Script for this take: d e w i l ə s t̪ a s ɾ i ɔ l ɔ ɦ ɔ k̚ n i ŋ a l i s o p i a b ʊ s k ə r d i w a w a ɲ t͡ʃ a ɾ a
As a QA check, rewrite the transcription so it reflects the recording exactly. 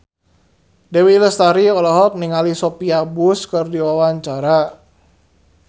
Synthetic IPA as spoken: d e w i l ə s t̪ a ɾ i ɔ l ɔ ɦ ɔ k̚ n i ŋ a l i s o p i a b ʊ s k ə r d i w a w a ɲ t͡ʃ a ɾ a